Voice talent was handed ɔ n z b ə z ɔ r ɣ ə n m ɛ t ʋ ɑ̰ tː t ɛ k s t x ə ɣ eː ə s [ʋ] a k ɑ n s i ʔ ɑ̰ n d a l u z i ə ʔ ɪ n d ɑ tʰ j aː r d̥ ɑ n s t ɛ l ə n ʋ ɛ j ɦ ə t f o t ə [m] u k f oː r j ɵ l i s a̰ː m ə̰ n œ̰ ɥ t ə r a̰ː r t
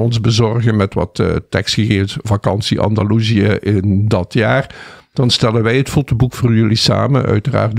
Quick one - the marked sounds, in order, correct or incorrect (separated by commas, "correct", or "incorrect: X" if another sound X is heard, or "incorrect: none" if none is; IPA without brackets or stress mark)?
incorrect: v, incorrect: b